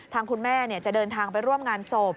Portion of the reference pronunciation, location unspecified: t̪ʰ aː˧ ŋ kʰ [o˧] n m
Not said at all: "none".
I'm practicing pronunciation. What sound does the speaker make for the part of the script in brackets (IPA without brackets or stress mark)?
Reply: u˧